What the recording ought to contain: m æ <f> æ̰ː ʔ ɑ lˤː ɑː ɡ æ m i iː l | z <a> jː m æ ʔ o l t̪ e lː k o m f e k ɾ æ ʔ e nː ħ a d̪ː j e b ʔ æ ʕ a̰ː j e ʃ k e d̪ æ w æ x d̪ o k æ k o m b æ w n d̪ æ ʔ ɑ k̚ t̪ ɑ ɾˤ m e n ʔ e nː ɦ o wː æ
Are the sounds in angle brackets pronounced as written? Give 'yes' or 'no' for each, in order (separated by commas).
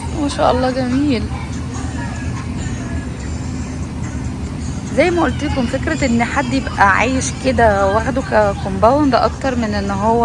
no, no